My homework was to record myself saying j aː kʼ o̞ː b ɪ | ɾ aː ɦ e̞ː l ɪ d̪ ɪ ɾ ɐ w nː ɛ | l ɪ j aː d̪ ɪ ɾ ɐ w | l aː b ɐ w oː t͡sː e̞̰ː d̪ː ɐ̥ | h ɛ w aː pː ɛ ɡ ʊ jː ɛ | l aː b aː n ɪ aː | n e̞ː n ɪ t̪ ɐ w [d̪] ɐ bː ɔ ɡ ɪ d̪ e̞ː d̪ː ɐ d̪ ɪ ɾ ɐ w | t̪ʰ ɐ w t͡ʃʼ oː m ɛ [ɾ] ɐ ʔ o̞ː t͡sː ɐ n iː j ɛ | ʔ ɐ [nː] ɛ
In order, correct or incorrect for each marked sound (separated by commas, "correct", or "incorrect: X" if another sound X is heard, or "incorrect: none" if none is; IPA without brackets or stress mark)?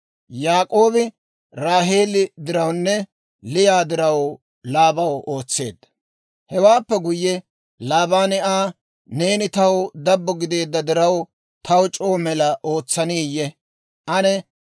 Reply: correct, incorrect: l, incorrect: n